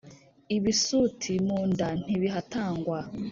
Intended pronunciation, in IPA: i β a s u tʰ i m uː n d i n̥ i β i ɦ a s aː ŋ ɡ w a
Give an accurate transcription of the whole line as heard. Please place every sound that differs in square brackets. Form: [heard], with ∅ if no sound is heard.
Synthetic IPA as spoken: i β [i] s u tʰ i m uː n d [a] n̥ i β i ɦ a [t] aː ŋ ɡ w a